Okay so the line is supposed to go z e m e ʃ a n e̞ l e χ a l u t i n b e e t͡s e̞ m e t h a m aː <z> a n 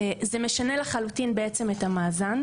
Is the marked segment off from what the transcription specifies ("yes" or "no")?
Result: no